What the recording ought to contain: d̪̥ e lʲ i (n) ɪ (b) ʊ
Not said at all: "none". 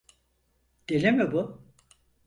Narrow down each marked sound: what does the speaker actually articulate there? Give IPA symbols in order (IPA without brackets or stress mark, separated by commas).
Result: m, b